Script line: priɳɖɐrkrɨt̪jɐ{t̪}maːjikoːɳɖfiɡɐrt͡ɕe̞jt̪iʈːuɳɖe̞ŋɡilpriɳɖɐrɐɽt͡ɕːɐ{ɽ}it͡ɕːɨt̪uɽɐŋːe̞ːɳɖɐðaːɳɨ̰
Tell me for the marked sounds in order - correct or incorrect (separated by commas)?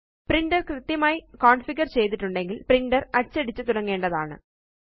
incorrect, correct